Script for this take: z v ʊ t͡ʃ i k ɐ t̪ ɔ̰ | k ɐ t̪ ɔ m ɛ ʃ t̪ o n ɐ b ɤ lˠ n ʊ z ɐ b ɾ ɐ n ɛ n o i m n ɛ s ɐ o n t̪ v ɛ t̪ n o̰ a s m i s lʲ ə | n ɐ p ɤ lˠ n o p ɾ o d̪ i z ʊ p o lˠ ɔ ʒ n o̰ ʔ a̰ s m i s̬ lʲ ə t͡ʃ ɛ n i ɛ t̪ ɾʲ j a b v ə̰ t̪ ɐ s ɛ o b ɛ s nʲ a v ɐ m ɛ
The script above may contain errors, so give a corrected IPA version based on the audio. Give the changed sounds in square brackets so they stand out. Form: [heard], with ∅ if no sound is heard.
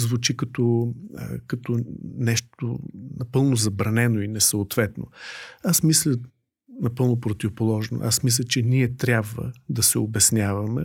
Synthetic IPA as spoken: z v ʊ t͡ʃ i k ɐ t̪ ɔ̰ | k ɐ t̪ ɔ [n] ɛ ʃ t̪ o n ɐ [p] ɤ lˠ n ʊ z ɐ b ɾ ɐ n ɛ n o i [∅] n ɛ s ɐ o [∅] t̪ v ɛ t̪ n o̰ a s m i s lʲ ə | n ɐ p ɤ lˠ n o p ɾ o [t̪] i [v] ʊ p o lˠ ɔ ʒ n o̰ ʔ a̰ s m i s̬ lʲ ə t͡ʃ ɛ n i ɛ t̪ ɾʲ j a b v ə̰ [d̪] ɐ s ɛ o b ɛ s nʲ a v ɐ m ɛ